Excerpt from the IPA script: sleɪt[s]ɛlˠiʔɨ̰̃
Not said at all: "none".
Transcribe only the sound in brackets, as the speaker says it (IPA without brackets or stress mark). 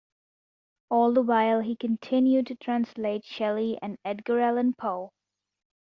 ʃ